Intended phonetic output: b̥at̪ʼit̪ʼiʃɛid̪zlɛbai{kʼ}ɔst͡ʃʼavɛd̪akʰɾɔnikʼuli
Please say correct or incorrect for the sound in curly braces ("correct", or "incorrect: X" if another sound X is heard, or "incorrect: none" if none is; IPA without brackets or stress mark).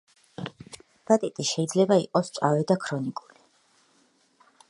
incorrect: qʼ